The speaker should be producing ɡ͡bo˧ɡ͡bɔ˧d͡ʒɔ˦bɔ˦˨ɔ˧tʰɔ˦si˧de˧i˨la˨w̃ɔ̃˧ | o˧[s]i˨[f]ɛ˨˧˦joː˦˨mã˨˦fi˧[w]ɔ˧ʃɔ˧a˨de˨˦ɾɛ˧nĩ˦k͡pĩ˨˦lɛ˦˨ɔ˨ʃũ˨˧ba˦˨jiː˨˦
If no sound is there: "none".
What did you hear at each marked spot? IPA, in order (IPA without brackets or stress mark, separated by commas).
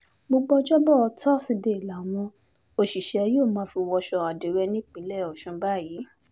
ʃ, ʃ, w